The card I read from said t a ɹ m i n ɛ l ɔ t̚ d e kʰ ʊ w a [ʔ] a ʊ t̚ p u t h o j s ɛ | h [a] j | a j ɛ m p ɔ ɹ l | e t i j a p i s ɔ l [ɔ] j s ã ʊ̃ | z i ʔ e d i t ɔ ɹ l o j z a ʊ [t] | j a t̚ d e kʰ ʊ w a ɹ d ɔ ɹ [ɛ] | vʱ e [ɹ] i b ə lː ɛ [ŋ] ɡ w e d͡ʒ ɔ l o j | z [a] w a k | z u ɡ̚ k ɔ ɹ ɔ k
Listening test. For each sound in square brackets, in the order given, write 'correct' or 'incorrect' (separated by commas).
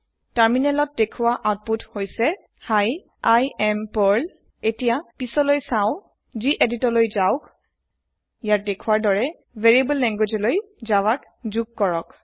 correct, correct, incorrect, incorrect, correct, correct, correct, correct